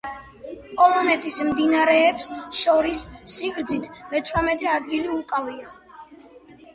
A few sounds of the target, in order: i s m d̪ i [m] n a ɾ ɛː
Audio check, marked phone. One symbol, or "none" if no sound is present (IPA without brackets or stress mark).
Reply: none